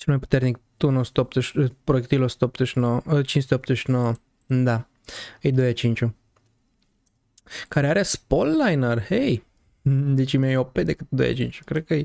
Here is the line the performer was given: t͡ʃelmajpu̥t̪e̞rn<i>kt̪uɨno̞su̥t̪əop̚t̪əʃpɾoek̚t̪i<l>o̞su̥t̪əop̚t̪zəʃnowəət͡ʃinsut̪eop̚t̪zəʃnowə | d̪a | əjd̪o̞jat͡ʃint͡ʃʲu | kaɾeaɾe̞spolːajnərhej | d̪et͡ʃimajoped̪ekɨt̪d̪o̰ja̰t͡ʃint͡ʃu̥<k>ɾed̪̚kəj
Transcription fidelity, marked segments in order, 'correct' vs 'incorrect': correct, correct, correct

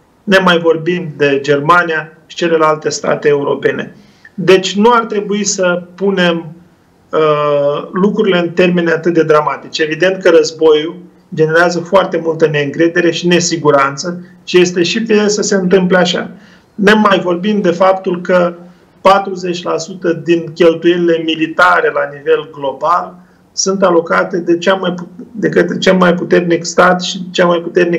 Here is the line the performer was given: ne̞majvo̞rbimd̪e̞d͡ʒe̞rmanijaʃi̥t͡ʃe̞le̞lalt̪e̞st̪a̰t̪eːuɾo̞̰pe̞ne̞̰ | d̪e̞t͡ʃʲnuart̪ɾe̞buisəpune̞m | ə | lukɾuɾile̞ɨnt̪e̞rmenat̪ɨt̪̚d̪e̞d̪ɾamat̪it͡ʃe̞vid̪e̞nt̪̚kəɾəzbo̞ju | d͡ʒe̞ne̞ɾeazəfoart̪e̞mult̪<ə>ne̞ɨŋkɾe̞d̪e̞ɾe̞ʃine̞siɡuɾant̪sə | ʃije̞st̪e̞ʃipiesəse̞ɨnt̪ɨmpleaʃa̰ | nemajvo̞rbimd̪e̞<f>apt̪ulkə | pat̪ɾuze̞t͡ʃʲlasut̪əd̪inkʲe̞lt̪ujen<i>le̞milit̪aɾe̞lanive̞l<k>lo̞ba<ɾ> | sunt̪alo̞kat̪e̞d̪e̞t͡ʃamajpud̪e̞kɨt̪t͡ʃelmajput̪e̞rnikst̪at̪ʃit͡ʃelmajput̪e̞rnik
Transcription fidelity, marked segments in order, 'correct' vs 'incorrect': correct, correct, correct, incorrect: ɡ, incorrect: l

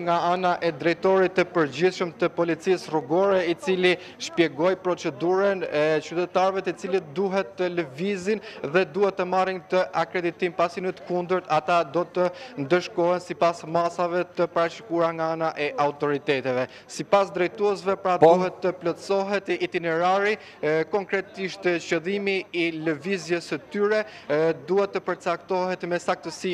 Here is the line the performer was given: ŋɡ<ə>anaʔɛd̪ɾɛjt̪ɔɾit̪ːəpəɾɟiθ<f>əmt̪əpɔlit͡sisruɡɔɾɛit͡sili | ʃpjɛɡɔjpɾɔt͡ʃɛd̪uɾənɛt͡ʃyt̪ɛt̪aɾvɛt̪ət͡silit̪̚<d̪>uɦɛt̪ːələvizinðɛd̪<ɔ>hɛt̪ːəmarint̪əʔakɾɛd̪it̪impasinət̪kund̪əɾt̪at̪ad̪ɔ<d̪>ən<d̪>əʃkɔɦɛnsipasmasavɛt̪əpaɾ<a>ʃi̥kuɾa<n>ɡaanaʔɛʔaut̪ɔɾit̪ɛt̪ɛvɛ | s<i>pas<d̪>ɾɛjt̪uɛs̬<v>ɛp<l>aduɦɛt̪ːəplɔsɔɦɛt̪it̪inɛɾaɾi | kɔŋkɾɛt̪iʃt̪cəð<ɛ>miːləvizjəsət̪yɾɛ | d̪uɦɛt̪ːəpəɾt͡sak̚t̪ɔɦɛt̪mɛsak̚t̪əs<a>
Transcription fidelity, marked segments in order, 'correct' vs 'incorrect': incorrect: a, incorrect: ʃ, correct, incorrect: u, incorrect: t̪, correct, correct, incorrect: ŋ, correct, correct, correct, incorrect: ɾ, incorrect: i, incorrect: i

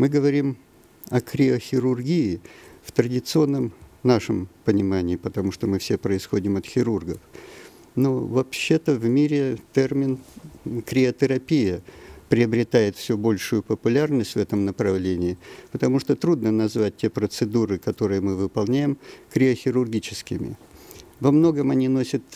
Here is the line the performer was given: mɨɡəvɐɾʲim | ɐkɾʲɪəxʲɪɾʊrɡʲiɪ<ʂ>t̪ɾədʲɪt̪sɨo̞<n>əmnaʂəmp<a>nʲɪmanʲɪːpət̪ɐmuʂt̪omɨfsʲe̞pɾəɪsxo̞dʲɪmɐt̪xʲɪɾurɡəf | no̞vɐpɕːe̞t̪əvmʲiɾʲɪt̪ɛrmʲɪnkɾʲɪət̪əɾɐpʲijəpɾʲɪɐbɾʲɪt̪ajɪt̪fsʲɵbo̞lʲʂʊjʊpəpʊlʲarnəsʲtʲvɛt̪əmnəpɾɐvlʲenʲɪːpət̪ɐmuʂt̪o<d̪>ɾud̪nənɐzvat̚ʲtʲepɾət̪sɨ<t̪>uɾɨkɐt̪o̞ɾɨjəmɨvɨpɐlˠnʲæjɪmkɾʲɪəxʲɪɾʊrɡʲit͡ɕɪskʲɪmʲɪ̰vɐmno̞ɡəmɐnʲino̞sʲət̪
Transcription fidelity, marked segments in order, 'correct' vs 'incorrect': incorrect: f, incorrect: nː, incorrect: ə, incorrect: t̪, incorrect: d̪

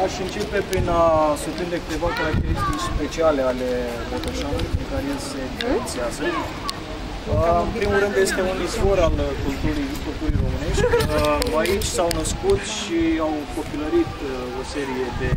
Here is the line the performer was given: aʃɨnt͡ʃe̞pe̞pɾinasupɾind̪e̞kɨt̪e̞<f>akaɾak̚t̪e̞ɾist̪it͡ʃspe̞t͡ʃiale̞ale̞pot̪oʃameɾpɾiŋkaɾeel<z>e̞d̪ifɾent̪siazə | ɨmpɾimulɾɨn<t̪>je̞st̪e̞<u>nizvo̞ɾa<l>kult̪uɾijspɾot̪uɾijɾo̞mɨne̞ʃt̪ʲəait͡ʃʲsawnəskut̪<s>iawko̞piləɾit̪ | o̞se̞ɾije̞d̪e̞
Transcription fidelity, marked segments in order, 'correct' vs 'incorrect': incorrect: v, incorrect: s, incorrect: d̪, correct, correct, incorrect: ʃ

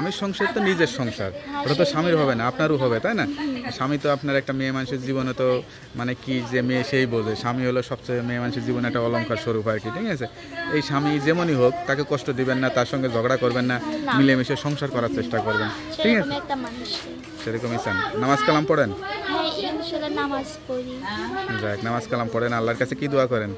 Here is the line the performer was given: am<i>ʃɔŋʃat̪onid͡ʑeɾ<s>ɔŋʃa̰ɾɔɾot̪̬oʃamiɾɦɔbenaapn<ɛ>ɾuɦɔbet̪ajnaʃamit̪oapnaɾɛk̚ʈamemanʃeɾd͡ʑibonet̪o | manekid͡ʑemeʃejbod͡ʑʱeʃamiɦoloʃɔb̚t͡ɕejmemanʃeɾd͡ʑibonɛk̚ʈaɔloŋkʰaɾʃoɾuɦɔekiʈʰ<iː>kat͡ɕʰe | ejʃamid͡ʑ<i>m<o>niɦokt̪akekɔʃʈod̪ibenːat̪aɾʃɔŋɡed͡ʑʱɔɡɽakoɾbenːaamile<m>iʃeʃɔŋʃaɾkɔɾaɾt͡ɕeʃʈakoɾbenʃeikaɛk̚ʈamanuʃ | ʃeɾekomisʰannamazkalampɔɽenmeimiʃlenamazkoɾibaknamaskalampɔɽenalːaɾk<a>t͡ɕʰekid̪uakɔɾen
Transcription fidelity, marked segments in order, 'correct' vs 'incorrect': correct, incorrect: ʃ, incorrect: a, incorrect: i, incorrect: e, correct, correct, correct

